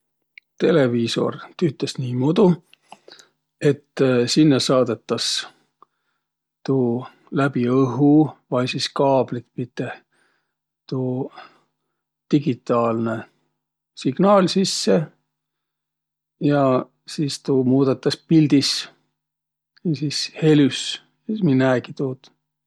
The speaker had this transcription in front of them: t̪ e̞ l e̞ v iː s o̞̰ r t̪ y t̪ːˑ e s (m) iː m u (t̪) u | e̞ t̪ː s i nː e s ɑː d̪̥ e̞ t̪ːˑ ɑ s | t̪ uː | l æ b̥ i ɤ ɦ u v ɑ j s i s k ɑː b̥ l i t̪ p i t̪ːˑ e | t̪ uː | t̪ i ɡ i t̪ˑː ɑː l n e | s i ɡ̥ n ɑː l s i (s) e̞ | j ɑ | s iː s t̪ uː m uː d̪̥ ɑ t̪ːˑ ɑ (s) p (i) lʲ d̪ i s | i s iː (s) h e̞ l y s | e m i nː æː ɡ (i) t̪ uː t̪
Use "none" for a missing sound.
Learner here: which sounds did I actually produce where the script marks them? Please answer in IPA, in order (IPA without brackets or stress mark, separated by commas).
n, d̪, sː, s, i, s, i